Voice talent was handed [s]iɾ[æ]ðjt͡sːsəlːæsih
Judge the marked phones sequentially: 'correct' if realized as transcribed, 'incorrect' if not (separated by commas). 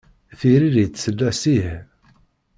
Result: incorrect, incorrect